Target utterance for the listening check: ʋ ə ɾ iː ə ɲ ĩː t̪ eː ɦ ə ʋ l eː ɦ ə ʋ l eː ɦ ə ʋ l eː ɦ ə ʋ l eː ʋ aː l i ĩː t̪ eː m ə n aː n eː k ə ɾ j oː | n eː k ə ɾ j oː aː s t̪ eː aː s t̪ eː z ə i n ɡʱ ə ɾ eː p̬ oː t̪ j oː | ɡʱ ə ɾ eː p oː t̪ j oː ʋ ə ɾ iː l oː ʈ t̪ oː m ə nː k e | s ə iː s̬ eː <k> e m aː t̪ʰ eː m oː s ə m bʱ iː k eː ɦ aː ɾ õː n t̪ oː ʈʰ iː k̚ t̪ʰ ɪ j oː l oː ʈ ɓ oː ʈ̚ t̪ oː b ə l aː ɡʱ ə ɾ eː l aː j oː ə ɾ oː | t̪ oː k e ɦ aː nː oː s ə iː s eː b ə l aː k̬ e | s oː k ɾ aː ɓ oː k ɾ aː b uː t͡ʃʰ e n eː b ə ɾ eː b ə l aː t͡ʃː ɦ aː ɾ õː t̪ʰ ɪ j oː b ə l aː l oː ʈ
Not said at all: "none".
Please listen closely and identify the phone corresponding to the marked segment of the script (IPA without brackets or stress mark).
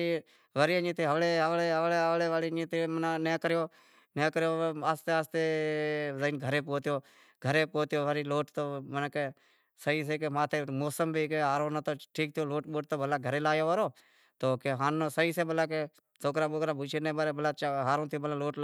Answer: k